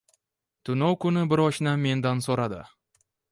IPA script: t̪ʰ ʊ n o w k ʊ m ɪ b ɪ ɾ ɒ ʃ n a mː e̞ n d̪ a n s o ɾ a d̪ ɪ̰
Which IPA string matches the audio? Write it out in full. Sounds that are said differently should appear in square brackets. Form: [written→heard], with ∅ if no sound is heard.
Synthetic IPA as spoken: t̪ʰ ʊ n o w k ʊ [m→n] ɪ b ɪ ɾ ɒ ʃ n a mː e̞ n d̪ a n s o ɾ a d̪ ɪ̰